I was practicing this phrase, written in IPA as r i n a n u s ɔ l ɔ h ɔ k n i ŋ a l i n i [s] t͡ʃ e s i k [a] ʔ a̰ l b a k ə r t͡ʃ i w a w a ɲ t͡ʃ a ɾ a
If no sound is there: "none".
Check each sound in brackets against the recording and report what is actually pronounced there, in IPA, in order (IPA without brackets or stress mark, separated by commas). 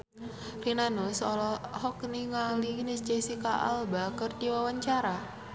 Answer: s, a